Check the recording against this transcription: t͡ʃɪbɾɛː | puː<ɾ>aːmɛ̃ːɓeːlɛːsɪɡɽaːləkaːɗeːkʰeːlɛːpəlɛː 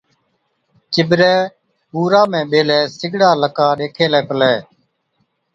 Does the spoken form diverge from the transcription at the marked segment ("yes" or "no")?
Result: no